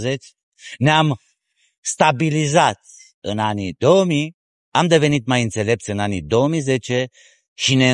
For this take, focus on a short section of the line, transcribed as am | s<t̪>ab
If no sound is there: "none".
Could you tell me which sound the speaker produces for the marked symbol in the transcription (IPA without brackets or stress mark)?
t̪